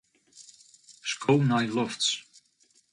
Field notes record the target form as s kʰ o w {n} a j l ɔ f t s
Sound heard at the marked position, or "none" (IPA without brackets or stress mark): n